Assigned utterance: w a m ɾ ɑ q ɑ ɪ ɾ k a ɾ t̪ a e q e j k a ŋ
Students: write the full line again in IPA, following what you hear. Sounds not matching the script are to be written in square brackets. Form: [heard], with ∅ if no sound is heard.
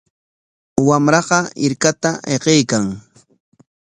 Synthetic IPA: w a m ɾ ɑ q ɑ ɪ ɾ k a [∅] t̪ a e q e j k a ŋ